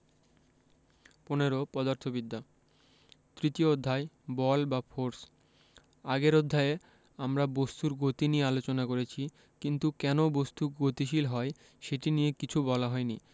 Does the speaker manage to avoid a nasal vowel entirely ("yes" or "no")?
yes